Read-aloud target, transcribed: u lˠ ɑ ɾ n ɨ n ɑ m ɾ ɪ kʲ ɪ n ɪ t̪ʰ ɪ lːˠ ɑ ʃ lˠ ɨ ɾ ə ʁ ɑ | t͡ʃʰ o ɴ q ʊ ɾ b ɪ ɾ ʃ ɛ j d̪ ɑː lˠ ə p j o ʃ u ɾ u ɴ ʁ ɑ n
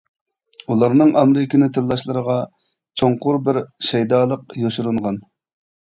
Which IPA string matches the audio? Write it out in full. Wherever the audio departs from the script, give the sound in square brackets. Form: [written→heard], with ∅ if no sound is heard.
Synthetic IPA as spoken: u lˠ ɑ ɾ n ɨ [n→ŋ] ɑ m ɾ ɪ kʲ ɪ n ɪ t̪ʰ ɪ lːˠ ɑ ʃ lˠ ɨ ɾ ə ʁ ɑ | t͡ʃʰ o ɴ q ʊ ɾ b ɪ ɾ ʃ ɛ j d̪ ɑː lˠ ə [p→q] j o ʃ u ɾ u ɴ ʁ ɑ n